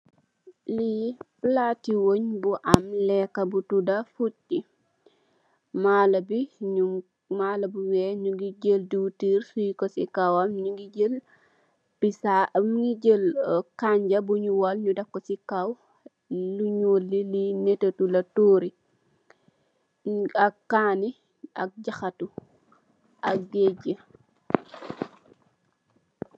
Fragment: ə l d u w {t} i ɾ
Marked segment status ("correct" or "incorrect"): correct